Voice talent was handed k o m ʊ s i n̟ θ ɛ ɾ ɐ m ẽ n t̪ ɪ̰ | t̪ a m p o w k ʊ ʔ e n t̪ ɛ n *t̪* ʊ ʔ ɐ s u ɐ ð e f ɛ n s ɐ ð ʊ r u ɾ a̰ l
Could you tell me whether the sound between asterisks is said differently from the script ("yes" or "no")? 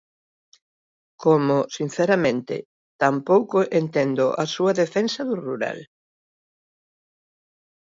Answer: yes